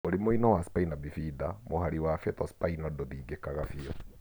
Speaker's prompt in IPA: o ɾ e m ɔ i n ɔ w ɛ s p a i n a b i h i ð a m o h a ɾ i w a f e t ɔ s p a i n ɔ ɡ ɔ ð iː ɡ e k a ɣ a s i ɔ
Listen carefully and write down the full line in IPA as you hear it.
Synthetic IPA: o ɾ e m o i n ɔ w a s p a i n a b i f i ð a m o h a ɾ i w a f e t ɔ s p a i n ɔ d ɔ ð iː ɡ e k a ɣ a f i ɔ